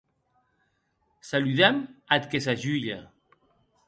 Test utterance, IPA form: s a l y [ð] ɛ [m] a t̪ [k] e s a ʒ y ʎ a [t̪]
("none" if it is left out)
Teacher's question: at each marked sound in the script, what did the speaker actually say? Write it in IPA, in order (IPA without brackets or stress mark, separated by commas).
ð, m, k, none